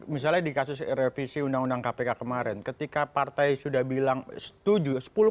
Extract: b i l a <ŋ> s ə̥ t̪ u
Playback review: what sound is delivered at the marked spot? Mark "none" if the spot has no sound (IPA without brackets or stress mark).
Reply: ŋ